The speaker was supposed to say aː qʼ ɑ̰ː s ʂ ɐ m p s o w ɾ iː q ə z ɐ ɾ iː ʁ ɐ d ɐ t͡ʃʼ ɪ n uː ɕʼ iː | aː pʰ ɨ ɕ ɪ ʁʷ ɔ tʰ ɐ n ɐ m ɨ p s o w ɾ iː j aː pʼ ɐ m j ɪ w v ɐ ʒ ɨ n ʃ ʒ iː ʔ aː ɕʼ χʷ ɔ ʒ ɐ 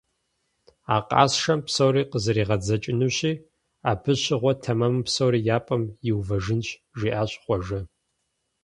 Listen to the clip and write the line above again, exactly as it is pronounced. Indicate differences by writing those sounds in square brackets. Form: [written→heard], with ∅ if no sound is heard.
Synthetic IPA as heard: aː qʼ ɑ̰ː s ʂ ɐ m p s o w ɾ iː q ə z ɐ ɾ iː ʁ ɐ [d→d͡z] ɐ t͡ʃʼ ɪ n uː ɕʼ iː | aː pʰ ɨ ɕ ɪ ʁʷ ɔ tʰ ɐ [n→m] ɐ m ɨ p s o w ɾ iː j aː pʼ ɐ m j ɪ w v ɐ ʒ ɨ n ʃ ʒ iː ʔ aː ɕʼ χʷ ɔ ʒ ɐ